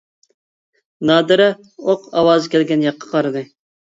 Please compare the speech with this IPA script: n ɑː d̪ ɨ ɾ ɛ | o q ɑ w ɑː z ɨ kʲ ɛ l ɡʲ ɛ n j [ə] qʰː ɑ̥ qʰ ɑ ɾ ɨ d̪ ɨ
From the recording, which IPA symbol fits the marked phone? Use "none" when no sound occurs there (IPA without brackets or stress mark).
ɑ